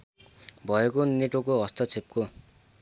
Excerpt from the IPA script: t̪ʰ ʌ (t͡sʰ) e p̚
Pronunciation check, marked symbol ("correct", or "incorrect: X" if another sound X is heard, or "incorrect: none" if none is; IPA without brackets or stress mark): correct